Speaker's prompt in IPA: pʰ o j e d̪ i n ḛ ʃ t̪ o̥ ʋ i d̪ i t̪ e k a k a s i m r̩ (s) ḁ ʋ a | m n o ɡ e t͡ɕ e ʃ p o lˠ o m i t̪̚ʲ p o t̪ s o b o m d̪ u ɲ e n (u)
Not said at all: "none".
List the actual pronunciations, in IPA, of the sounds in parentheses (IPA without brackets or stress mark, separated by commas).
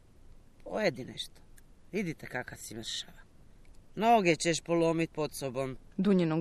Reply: ʃ, o